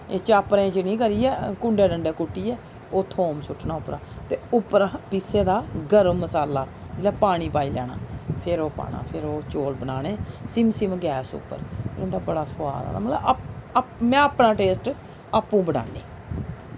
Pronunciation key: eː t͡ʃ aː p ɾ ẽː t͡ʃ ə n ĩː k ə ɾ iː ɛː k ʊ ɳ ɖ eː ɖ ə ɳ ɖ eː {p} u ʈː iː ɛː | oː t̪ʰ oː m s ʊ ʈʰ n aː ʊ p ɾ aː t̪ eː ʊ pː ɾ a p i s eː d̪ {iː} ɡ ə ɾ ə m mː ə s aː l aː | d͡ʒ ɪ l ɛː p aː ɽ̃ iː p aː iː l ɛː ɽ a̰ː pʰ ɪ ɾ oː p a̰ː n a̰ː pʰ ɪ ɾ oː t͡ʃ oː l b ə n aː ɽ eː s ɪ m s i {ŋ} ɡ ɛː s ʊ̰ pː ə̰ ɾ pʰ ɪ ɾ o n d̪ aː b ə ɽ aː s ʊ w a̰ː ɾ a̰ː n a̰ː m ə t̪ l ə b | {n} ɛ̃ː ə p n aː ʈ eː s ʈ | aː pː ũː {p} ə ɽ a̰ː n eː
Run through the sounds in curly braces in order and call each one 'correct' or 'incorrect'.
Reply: incorrect: k, incorrect: aː, incorrect: m, incorrect: m, incorrect: b

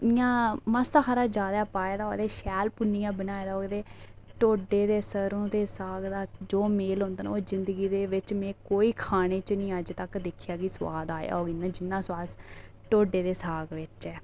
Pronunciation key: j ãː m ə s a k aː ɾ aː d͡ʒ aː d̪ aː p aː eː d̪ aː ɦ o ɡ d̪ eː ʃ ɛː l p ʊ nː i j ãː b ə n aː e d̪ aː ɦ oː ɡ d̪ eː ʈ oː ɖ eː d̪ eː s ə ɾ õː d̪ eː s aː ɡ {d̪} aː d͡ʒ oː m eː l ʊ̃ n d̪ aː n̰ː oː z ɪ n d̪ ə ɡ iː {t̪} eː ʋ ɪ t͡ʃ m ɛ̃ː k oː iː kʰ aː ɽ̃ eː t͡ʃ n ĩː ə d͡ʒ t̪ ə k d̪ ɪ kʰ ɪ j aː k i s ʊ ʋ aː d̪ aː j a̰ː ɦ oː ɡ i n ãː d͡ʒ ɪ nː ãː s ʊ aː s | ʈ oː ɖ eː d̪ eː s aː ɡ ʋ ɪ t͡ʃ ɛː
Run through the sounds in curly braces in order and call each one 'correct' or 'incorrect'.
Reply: correct, incorrect: d̪

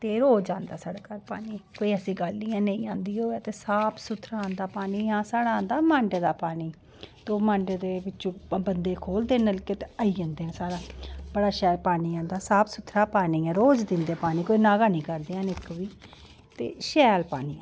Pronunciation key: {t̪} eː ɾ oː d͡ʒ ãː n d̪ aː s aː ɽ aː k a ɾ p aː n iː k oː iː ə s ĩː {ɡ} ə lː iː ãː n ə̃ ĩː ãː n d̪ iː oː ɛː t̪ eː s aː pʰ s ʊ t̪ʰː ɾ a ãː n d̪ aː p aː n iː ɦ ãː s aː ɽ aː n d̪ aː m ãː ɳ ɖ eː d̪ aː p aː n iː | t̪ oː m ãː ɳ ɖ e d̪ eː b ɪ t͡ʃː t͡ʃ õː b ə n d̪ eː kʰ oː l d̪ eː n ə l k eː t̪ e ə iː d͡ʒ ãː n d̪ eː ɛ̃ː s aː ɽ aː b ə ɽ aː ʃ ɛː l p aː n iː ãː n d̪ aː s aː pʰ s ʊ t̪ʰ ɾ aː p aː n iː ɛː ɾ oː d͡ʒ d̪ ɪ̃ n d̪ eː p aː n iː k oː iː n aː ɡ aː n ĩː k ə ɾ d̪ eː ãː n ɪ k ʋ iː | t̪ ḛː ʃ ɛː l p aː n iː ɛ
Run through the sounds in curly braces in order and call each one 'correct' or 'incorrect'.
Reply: correct, correct

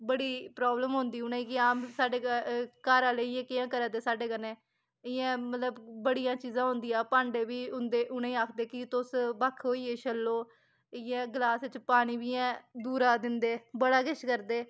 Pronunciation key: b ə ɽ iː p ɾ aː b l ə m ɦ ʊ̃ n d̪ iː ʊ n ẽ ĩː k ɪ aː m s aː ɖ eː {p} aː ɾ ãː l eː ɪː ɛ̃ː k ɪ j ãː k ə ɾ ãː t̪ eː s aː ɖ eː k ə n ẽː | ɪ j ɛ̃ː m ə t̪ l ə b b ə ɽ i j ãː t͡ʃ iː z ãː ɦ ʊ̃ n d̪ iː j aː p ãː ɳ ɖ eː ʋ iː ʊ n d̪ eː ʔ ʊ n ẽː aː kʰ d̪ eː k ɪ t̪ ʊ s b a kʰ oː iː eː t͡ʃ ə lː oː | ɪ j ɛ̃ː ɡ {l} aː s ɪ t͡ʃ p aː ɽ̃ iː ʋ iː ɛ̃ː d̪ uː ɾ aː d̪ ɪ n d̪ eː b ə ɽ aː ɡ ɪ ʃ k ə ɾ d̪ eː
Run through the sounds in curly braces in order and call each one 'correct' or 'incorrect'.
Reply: incorrect: k, correct

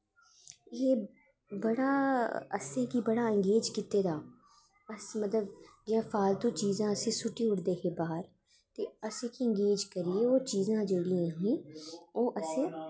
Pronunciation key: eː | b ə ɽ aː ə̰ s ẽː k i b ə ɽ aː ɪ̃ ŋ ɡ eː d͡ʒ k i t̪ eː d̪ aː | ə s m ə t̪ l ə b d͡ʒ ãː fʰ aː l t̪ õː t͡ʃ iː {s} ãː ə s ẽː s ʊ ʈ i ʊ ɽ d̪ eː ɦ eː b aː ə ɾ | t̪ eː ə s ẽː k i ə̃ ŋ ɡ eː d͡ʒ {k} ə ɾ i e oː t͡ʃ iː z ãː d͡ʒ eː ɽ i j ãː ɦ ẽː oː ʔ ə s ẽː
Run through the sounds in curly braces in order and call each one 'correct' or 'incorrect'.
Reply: incorrect: z, correct

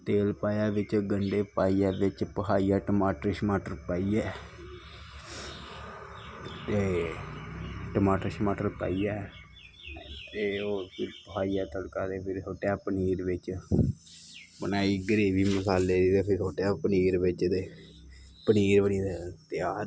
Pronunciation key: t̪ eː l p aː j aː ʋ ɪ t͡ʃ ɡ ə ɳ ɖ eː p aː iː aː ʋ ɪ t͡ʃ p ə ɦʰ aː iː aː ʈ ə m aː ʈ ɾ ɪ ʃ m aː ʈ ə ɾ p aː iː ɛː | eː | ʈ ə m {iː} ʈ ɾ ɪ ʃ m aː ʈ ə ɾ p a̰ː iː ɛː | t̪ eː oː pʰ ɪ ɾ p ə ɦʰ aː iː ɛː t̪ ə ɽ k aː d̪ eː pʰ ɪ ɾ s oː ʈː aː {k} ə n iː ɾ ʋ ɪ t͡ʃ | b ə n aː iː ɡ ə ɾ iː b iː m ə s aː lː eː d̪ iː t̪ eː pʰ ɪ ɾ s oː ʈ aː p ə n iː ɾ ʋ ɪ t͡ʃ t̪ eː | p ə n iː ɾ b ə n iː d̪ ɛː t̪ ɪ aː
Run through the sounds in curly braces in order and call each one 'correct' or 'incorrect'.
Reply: incorrect: aː, incorrect: p

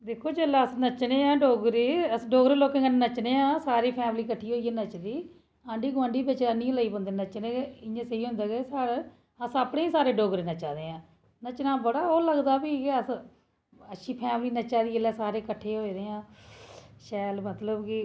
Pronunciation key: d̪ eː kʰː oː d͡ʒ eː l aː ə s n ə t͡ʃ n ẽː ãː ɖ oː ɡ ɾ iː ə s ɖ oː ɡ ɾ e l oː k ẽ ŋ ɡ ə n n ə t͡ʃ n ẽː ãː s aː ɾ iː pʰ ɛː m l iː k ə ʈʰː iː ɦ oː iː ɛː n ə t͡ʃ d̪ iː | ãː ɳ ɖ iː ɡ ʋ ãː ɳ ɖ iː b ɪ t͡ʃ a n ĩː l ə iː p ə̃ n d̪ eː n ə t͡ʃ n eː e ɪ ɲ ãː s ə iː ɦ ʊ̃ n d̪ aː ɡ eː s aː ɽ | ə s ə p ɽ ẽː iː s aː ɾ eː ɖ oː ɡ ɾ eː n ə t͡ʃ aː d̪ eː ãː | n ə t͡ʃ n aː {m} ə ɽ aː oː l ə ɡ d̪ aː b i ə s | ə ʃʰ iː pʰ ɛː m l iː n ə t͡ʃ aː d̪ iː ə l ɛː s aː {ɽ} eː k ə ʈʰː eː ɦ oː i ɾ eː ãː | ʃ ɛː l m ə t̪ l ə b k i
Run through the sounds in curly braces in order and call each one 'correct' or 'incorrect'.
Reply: incorrect: b, incorrect: ɾ

